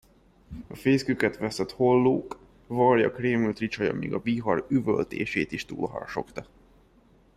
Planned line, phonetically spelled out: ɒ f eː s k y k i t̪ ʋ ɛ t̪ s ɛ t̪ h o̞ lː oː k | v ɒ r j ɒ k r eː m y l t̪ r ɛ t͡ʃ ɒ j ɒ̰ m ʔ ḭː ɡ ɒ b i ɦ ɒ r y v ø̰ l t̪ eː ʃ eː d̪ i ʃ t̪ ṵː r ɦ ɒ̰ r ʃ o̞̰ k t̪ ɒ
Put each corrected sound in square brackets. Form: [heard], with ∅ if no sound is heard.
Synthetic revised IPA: ɒ f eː s k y k [ɛ] t̪ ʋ ɛ [∅] s ɛ t̪ h o̞ lː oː k | v ɒ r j ɒ k r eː m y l t̪ r [i] t͡ʃ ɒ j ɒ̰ m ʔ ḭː ɡ ɒ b i ɦ ɒ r y v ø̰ l t̪ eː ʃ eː [t̪] i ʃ t̪ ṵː [l] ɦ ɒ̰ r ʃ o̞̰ k t̪ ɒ

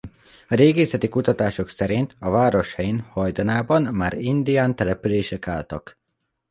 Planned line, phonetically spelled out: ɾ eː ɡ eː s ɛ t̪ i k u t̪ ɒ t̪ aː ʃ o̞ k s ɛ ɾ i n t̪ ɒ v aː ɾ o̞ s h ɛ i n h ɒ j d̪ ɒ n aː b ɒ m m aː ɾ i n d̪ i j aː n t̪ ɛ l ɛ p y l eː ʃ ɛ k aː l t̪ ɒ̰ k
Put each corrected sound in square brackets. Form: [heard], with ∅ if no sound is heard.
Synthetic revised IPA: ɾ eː ɡ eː s ɛ t̪ i k u t̪ ɒ t̪ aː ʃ o̞ k s ɛ ɾ i n t̪ ɒ v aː ɾ o̞ [ʃ] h ɛ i n h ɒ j d̪ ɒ n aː b ɒ [n] m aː ɾ i n d̪ i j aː n t̪ ɛ l ɛ p y l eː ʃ ɛ k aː l t̪ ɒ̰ k

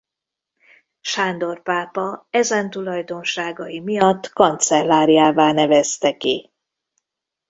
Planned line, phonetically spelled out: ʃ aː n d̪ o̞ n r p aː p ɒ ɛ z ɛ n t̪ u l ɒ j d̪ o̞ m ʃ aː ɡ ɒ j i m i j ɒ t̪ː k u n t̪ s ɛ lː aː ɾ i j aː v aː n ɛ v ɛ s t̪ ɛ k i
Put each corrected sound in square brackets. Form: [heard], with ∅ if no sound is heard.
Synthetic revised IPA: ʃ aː n d̪ o̞ [∅] r p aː p ɒ ɛ z ɛ n t̪ u l ɒ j d̪ o̞ [n] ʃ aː ɡ ɒ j i m i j ɒ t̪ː k [ɒ] n t̪ s ɛ lː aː ɾ i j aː v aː n ɛ v ɛ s t̪ ɛ k i

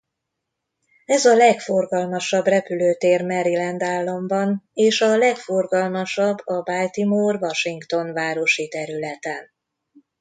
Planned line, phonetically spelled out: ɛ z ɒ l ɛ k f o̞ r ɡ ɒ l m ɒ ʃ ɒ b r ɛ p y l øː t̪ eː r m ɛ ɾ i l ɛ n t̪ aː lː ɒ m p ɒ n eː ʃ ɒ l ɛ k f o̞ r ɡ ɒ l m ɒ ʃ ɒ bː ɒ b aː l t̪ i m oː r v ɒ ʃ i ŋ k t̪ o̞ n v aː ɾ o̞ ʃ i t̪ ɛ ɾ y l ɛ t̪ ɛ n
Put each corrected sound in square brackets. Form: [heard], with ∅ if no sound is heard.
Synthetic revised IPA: ɛ z ɒ l ɛ k f o̞ r ɡ ɒ l m ɒ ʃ ɒ b r ɛ p y l øː t̪ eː r m ɛ ɾ i l ɛ n [d̪] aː lː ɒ m [b] ɒ n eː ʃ ɒ l ɛ k f o̞ r ɡ ɒ l m ɒ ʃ ɒ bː ɒ b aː l t̪ i m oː r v ɒ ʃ i ŋ k t̪ o̞ n v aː ɾ o̞ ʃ i t̪ ɛ ɾ y l ɛ t̪ ɛ n

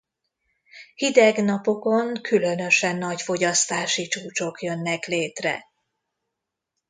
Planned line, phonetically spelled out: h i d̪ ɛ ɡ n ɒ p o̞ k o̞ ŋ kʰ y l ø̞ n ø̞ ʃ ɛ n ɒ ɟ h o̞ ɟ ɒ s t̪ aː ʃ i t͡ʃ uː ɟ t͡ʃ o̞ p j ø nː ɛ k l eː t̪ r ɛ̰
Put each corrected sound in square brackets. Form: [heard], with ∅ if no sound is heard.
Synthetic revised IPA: h i d̪ ɛ ɡ n ɒ p o̞ k o̞ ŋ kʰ y l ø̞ n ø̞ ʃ ɛ [nː] ɒ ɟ [f] o̞ ɟ ɒ s t̪ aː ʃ i t͡ʃ uː [∅] t͡ʃ o̞ [k] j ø nː ɛ k l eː t̪ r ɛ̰

